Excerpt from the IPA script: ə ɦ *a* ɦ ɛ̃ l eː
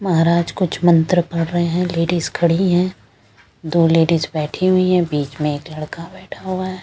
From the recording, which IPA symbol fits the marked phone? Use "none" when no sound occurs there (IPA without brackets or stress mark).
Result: e